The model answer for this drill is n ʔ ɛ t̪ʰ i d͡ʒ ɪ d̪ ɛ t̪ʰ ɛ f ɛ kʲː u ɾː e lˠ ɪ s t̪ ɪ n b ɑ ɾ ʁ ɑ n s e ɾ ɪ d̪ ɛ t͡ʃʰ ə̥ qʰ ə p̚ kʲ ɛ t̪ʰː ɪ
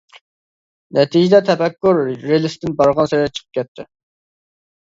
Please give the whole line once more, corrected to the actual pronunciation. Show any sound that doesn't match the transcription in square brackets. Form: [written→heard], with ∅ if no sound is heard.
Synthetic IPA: n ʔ ɛ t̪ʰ i d͡ʒ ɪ d̪ ɛ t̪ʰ ɛ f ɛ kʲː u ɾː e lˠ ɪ s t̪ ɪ n b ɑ ɾ ʁ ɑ n s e ɾ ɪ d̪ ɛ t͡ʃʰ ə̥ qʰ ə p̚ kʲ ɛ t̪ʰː ɪ